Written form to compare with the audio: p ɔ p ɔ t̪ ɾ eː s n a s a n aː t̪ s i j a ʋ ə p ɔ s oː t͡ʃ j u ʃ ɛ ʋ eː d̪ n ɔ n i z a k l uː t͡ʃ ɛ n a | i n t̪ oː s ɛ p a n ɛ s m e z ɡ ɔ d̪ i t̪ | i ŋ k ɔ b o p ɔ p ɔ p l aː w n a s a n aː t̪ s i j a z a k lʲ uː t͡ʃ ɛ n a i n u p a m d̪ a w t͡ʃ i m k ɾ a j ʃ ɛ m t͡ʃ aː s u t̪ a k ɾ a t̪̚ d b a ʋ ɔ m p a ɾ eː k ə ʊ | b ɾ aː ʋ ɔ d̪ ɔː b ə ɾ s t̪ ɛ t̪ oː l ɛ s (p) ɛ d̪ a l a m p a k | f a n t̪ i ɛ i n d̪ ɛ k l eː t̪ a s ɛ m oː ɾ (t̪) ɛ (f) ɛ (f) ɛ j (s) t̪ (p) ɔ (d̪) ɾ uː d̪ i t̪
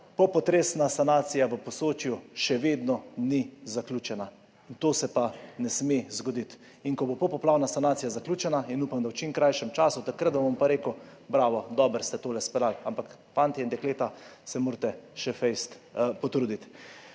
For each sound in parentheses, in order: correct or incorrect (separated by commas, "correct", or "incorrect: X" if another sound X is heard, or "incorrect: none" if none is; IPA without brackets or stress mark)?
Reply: correct, correct, incorrect: ʃ, correct, correct, correct, incorrect: t̪